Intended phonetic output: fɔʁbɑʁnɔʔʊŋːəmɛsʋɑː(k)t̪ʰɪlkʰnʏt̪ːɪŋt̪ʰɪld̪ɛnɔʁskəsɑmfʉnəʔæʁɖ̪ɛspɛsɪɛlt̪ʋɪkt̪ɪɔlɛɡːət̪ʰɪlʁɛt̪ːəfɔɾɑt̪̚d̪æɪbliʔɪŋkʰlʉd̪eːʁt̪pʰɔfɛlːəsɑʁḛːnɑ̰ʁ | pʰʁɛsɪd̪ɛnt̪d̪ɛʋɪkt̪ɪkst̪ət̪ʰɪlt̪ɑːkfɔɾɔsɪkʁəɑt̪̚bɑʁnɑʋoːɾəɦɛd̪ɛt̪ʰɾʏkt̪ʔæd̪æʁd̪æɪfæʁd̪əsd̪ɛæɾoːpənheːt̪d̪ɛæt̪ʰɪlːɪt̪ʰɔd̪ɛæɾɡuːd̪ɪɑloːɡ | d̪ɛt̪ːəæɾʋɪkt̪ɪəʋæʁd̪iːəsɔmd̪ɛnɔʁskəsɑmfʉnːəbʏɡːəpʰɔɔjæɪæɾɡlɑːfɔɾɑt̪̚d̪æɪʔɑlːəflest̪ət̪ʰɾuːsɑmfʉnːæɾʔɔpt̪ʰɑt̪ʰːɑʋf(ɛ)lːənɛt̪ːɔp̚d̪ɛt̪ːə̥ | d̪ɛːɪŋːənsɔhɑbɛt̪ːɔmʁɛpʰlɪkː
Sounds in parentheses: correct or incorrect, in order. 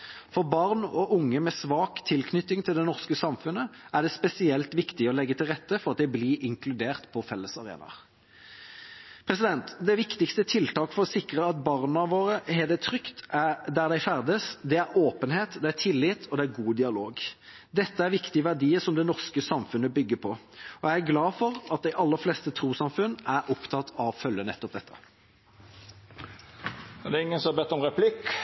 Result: correct, incorrect

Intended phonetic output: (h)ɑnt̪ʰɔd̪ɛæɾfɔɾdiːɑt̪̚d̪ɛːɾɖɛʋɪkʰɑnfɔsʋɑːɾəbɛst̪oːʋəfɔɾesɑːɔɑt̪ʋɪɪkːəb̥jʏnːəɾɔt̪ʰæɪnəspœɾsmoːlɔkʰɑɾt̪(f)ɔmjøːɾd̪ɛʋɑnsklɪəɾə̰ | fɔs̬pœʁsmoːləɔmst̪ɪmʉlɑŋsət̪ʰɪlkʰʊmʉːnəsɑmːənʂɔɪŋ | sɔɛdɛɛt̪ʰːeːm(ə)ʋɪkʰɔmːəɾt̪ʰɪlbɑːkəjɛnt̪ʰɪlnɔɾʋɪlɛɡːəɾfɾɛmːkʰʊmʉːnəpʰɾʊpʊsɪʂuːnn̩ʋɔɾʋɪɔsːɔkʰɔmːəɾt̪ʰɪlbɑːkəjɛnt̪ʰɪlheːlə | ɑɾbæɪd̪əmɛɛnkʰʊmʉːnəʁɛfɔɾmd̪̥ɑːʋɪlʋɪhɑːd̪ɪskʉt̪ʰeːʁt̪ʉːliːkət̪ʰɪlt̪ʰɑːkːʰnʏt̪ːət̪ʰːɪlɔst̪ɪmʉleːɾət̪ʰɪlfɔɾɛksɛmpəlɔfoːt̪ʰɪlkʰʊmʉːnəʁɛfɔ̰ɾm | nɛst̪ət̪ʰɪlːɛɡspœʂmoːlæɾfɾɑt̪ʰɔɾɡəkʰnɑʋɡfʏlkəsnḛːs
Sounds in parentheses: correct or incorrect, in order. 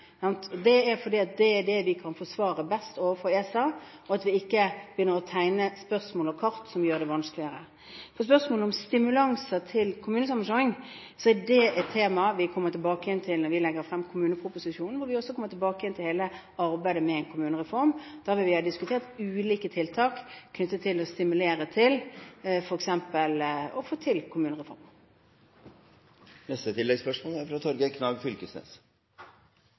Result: incorrect, incorrect, incorrect

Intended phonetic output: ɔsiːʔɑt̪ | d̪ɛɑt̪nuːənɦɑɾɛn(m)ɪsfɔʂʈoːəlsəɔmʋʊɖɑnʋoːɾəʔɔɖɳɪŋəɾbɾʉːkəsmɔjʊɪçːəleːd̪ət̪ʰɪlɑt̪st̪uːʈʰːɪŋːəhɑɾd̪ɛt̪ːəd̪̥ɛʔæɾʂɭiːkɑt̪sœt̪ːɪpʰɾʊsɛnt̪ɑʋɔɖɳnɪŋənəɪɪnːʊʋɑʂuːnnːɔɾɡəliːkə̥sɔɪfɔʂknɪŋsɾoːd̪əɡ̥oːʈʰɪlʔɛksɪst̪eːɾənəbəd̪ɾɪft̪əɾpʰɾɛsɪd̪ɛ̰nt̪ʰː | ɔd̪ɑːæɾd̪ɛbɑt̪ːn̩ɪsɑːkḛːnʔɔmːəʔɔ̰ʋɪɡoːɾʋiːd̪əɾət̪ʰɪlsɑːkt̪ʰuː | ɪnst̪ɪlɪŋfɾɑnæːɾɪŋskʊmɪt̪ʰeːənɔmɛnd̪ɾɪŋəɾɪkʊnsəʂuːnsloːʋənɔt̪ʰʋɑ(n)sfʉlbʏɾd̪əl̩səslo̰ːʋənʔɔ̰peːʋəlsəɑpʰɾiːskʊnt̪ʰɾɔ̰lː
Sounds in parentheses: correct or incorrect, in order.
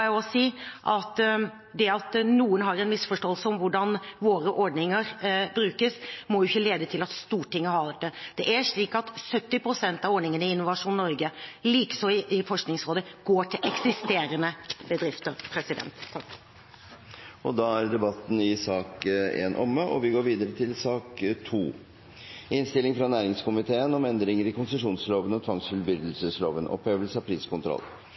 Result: correct, incorrect

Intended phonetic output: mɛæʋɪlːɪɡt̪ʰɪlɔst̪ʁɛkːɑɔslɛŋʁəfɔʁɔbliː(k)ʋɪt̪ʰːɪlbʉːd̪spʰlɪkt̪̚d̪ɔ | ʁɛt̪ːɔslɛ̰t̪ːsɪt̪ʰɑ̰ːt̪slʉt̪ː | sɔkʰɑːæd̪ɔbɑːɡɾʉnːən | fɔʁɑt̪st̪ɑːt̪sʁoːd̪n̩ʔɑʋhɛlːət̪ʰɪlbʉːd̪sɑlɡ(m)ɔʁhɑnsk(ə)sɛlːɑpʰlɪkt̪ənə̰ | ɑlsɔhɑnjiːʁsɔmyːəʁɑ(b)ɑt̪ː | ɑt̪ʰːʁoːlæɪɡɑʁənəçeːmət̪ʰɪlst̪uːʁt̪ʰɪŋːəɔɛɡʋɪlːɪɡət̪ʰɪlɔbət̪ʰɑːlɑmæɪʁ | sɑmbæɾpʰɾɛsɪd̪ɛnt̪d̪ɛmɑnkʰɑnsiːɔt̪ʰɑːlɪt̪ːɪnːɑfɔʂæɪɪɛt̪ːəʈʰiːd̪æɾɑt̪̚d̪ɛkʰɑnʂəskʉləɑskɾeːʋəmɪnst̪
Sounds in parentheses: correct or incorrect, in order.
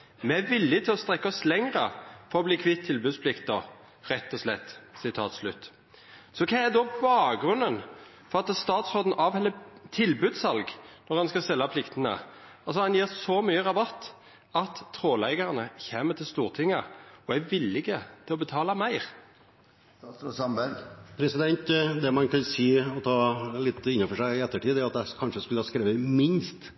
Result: incorrect, incorrect, incorrect, correct

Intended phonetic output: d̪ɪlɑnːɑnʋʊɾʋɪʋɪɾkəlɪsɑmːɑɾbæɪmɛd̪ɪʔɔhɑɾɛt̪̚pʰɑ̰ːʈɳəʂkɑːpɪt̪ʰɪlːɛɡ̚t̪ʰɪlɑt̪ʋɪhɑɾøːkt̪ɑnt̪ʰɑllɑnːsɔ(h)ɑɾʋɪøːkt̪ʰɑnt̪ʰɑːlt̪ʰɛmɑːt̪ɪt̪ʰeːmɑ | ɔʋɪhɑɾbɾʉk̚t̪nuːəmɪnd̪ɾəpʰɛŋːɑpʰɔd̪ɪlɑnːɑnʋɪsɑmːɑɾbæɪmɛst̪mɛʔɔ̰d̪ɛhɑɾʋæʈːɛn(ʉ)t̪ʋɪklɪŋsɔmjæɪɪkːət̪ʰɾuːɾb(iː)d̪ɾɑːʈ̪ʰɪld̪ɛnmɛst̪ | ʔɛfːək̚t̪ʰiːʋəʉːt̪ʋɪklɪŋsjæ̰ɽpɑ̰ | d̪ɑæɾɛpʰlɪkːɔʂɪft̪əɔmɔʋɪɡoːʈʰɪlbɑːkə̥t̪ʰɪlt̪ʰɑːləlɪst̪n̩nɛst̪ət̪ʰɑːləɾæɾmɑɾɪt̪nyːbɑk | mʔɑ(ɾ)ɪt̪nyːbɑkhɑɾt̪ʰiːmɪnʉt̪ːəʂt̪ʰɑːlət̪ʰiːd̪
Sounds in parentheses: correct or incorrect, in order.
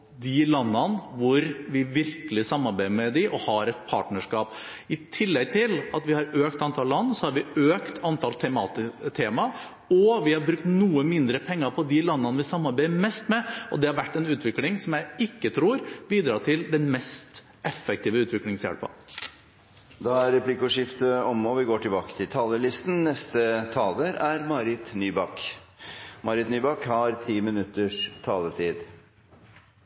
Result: correct, incorrect, correct, correct

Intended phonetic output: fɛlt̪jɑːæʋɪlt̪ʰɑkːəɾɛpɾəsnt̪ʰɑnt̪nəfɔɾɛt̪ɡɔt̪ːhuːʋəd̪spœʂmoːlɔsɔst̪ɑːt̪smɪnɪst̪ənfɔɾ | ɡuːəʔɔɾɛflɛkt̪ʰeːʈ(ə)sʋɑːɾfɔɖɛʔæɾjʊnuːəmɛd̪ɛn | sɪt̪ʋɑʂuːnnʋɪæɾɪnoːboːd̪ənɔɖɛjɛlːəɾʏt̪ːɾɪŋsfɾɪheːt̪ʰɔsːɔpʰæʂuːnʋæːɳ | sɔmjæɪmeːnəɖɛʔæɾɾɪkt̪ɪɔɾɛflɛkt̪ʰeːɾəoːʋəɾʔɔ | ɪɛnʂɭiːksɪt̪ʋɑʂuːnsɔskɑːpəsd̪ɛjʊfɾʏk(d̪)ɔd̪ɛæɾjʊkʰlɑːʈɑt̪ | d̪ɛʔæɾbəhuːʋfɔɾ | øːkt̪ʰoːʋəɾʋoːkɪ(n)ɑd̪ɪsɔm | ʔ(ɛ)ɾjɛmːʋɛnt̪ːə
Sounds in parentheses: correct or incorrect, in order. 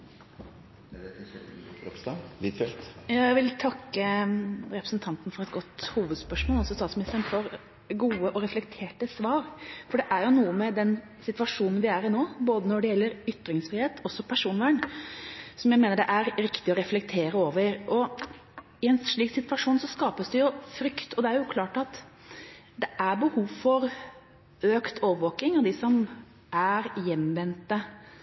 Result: correct, incorrect, incorrect, incorrect

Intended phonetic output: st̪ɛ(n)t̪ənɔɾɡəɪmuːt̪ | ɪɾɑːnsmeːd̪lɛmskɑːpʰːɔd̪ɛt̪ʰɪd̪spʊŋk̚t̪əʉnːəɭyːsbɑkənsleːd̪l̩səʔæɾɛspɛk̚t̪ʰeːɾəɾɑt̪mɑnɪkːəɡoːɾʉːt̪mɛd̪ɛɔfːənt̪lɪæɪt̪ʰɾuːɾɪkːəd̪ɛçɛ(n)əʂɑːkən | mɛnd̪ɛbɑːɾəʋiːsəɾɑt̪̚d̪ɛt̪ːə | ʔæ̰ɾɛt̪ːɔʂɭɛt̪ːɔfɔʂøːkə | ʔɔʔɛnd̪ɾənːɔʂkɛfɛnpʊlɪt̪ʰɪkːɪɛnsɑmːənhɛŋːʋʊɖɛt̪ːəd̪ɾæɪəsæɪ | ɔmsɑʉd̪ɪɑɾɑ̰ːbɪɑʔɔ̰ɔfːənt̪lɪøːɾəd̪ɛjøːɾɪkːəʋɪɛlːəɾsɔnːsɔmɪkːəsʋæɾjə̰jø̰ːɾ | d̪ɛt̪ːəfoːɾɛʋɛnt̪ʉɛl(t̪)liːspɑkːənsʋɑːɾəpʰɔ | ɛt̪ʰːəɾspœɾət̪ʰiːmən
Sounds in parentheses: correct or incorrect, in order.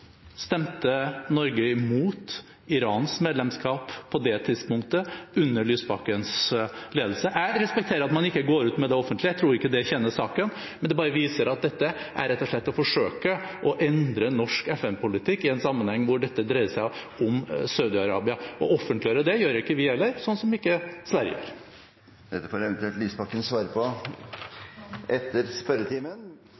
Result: incorrect, incorrect, correct

